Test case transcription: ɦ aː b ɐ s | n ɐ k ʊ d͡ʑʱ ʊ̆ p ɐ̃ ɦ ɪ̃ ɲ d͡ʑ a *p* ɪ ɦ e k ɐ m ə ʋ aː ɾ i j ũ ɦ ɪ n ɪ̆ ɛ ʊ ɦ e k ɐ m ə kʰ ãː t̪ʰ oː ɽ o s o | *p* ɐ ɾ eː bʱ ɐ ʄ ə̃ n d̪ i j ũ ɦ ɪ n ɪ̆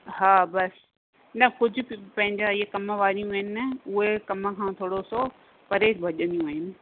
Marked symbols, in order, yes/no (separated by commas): no, yes